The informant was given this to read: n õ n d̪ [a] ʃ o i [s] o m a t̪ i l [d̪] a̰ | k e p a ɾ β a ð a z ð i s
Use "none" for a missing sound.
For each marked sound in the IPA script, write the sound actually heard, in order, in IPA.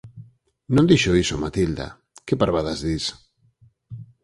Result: i, s, d̪

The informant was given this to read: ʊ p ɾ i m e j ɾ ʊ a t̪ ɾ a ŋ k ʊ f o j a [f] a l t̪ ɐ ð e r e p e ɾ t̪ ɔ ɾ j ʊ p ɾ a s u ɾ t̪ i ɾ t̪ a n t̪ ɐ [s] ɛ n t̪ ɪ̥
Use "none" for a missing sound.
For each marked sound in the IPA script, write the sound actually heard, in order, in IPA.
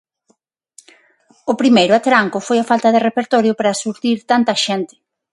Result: f, ʃ

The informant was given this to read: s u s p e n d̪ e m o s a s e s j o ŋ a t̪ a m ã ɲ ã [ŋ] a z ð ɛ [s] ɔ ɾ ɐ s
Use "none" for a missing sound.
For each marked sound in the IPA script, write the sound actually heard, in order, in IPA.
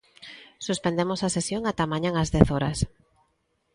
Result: ŋ, θ

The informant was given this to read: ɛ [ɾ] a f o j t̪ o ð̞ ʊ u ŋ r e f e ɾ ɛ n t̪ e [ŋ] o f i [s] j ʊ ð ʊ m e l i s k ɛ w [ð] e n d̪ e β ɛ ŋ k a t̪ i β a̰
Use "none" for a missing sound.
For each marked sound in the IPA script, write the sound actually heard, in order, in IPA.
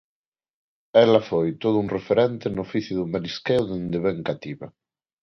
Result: l, n, θ, ð

